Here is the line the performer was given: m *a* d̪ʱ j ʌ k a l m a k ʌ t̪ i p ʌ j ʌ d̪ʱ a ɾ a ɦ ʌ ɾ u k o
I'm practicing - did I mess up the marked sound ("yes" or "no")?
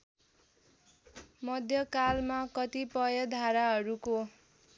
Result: yes